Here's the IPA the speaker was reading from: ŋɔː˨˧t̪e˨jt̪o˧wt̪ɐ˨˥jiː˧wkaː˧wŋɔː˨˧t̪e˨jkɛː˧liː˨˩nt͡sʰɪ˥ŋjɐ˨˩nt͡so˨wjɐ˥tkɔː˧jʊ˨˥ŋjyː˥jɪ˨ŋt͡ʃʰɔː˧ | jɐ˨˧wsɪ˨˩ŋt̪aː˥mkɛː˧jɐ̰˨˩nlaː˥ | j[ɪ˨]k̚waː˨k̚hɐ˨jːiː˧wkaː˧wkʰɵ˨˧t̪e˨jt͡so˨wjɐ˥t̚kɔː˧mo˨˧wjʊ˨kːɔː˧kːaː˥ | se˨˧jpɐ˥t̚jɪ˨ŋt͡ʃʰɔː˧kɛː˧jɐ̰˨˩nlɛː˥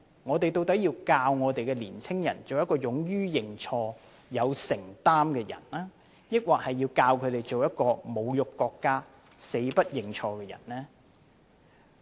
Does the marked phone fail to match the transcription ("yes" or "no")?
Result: yes